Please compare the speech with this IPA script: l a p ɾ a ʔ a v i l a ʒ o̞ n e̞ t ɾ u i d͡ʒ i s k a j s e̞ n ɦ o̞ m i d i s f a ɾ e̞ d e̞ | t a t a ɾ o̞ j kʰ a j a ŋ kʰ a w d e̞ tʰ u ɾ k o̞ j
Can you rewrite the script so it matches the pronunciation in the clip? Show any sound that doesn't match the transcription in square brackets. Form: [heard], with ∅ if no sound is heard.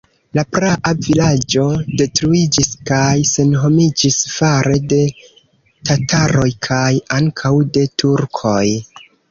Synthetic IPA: l a p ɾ a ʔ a v i l a [d͡ʒ] o̞ [d] e̞ t ɾ u i d͡ʒ i s k a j s e̞ n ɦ o̞ m i [d͡ʒ] i s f a ɾ e̞ d e̞ | t a t a ɾ o̞ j kʰ a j a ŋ kʰ a w d e̞ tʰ u ɾ [kʰ] o̞ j